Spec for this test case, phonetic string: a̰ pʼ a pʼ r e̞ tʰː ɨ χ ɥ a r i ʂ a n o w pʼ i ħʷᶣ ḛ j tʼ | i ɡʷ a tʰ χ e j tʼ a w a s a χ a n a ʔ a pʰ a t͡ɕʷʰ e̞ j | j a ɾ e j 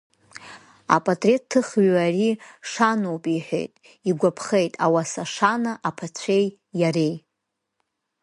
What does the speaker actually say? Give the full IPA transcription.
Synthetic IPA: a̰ pʼ a tʼ r e̞ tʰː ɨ χ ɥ a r i ʂ a n o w pʼ i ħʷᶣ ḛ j tʼ | i ɡʷ a pʰ χ e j tʼ a w a s a ʂ a n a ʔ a pʰ a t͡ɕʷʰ e̞ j | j a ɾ e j

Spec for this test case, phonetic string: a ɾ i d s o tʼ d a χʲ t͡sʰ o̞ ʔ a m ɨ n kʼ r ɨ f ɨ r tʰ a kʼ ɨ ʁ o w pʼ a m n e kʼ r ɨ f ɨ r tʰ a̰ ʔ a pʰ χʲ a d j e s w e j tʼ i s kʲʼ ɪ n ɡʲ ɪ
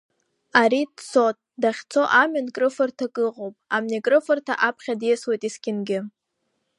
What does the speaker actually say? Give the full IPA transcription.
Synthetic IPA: a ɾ i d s o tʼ d a χʲ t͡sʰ o̞ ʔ a m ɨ n kʼ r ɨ f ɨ r tʰ a kʼ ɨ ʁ o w pʼ a m n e kʼ r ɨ f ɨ r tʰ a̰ ʔ a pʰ χʲ a d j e s w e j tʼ i s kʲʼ ɪ n ɡʲ ɪ

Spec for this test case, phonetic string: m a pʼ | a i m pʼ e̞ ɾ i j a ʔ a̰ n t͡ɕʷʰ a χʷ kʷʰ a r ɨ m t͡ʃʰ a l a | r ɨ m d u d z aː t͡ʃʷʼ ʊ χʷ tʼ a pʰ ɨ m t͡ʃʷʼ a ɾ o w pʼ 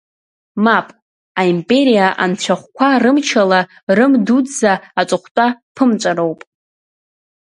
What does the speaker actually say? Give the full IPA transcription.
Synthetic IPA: m a pʼ | a i m pʼ e̞ ɾ i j a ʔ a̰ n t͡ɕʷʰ a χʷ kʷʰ a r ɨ m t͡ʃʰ a l a | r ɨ m d u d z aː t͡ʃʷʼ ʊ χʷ tʼ a pʰ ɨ m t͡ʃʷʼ a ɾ o w pʼ

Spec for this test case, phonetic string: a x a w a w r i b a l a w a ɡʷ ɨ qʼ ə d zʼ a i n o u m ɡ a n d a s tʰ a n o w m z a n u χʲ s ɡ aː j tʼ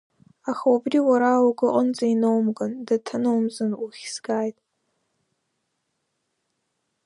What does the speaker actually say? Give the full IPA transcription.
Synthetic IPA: a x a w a b r i w a ɾ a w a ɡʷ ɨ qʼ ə n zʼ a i n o w m ɡ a n d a tʰ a n o w m z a n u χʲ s ɡ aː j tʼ

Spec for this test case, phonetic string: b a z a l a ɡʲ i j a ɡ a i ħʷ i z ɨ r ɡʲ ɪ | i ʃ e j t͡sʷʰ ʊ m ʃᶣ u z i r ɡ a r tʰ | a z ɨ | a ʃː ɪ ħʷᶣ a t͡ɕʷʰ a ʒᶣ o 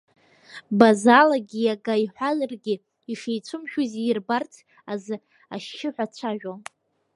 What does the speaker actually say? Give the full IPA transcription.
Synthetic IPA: b a z a l a ɡʲ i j a ɡ a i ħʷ a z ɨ r ɡʲ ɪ | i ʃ e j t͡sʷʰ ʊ m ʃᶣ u z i r b a r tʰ | a z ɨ | a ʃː ɪ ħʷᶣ a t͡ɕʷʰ a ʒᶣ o

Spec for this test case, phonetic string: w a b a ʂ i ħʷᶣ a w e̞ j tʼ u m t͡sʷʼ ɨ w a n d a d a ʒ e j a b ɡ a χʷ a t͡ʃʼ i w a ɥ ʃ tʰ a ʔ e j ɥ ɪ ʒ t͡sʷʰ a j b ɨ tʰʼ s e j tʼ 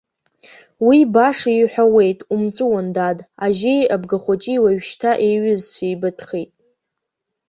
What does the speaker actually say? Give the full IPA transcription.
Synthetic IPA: w i b a ʂ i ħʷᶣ a w e̞ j tʼ u m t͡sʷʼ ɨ w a n d a d a ʒ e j a b ɡ a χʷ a t͡ʃʼ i w a ɥ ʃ tʰ a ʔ e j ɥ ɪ z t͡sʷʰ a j b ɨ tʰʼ χ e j tʼ

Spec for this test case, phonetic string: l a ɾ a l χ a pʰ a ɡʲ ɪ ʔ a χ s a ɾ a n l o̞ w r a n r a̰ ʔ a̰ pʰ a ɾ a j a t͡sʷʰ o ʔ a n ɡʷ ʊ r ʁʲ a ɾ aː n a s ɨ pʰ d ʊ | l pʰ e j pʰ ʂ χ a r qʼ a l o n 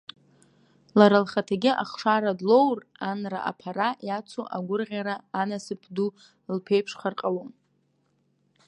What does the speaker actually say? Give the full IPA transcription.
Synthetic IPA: l a ɾ a l χ a tʰ a ɡʲ ɪ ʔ a χ ʂ a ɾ a d l o̞ w r a n r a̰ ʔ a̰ pʰ a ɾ a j a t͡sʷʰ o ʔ a ɡʷ ʊ r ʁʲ a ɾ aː n a s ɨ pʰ d u | l pʰ e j pʰ ʂ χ a r qʼ a l o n

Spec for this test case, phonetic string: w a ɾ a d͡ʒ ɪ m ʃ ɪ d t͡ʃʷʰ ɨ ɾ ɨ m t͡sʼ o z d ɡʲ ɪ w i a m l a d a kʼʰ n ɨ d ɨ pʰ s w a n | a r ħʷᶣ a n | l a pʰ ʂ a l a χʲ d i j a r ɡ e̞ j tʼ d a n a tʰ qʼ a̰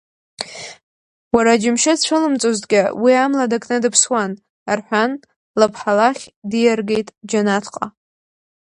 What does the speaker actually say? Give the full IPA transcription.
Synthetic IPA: w a ɾ a d͡ʒ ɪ m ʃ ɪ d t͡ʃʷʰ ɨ l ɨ m t͡sʼ o z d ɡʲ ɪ w i a m l a d a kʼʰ n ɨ d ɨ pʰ s w a n | a r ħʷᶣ a n | l a pʰ ħ a l a χʲ d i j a r ɡ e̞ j tʼ d͡ʒ a n a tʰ qʼ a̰

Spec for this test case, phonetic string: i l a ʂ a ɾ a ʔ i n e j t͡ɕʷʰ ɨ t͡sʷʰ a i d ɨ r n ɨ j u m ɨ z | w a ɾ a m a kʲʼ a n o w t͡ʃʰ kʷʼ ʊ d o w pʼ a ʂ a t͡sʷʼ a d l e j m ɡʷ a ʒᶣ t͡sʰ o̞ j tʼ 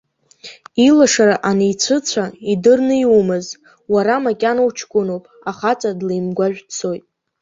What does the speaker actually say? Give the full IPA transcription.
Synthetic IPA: i l a ʂ a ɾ a ʔ a n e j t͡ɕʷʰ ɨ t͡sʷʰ a i d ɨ r n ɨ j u m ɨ z | w a ɾ a m a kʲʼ a n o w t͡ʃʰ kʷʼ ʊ n o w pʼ a χ a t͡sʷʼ a d l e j m ɡʷ a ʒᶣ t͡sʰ o̞ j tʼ

